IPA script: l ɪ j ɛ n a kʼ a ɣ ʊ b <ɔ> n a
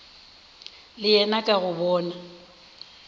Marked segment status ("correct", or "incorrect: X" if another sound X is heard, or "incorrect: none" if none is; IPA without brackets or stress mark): incorrect: ɔː